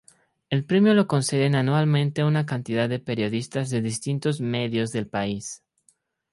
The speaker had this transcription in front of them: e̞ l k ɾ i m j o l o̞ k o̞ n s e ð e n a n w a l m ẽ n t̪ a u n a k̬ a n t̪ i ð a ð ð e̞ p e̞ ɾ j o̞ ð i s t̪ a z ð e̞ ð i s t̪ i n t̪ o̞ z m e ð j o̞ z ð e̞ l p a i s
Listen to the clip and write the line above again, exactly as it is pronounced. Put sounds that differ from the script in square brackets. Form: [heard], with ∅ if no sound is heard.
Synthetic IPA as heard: e̞ l [p] ɾ [e] m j o l o̞ k o̞ n s e ð e n a n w a l m ẽ n t̪ [e] u n a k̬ a n t̪ i ð a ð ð e̞ p e̞ ɾ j o̞ ð i s t̪ a z ð e̞ ð i s t̪ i n t̪ o̞ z m e ð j o̞ z ð e̞ l p a i s